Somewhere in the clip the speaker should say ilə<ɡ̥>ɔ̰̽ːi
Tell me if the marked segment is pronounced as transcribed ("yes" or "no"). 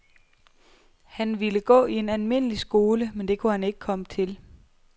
yes